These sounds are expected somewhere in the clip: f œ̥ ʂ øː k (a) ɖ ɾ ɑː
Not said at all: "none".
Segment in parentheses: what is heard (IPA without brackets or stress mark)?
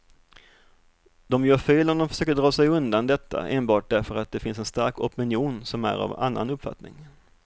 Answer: ə